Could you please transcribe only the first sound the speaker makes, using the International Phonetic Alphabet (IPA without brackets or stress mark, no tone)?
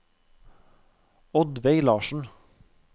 ɔ